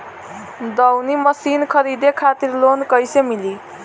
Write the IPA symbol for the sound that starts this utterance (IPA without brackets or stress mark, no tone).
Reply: d̪